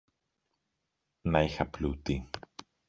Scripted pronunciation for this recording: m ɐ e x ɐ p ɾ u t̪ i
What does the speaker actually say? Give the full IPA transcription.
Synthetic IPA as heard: n ɐ i x ɐ p l u t̪ i